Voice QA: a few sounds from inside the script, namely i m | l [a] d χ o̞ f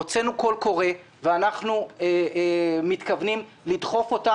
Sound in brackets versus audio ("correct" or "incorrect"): incorrect